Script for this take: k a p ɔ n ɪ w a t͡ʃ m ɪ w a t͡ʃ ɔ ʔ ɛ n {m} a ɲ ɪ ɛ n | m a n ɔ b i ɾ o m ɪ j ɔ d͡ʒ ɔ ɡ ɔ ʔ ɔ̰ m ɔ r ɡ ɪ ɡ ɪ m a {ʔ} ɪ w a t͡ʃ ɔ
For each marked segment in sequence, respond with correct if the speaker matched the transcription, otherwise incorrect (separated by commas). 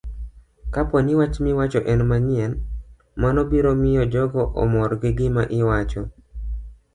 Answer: correct, correct